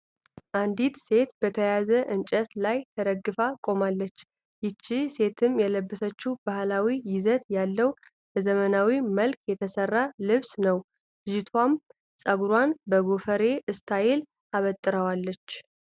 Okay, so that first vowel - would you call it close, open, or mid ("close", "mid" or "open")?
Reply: open